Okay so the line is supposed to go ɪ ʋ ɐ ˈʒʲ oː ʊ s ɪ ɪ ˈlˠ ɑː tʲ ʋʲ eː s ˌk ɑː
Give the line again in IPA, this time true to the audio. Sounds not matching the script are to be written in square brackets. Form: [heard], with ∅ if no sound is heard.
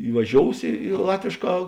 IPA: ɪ ʋ ɐ ˈʒʲ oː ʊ s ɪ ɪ ˈlˠ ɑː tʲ ʋʲ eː [ʃ] ˌk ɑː